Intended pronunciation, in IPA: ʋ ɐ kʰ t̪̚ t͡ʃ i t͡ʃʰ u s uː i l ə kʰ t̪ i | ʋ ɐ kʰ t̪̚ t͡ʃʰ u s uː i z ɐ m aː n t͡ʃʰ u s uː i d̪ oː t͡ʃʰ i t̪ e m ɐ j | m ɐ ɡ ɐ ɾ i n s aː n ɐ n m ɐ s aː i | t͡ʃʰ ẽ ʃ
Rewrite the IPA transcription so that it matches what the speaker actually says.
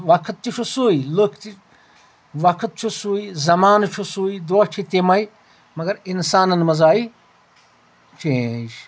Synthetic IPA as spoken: ʋ ɐ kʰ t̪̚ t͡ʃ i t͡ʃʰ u s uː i l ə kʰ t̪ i | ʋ ɐ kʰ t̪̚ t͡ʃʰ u s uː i z ɐ m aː n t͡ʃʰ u s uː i d̪ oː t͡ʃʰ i t̪ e m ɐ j | m ɐ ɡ ɐ ɾ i n s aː n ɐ n m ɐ z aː i | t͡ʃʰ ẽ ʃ